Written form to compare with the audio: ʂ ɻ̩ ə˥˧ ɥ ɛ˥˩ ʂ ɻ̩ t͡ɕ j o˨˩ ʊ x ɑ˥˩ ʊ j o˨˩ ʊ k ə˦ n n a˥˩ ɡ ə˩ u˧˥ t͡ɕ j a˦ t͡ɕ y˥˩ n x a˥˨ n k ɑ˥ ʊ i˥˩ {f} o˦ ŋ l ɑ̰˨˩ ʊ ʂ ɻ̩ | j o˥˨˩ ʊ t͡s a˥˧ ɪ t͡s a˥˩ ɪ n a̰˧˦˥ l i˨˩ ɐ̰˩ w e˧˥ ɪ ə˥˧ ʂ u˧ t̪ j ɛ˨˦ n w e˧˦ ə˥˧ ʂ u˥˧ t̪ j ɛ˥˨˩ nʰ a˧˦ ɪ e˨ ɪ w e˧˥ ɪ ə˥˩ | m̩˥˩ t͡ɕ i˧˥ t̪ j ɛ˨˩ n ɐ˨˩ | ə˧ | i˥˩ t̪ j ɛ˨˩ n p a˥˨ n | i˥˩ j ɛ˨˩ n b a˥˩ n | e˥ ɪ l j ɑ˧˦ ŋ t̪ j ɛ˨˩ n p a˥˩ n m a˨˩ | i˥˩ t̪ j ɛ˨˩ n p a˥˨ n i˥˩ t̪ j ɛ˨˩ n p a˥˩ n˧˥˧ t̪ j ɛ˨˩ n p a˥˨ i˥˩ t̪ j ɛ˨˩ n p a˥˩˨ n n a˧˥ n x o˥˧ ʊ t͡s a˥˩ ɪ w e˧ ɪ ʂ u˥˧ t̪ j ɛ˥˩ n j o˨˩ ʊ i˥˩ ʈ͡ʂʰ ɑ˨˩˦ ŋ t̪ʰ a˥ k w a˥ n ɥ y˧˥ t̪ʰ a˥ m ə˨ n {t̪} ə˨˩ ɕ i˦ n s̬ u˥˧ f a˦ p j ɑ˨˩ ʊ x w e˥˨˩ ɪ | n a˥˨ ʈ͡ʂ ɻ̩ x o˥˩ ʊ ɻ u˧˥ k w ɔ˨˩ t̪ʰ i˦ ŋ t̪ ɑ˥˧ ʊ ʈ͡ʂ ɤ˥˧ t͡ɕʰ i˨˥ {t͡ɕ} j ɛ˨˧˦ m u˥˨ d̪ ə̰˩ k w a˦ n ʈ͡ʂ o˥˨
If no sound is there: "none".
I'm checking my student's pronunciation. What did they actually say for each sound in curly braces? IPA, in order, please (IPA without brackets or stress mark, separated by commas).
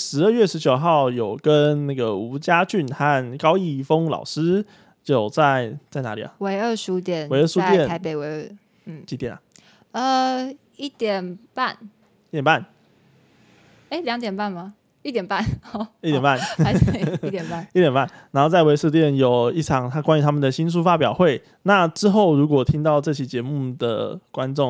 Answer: f, d̪, t͡ɕ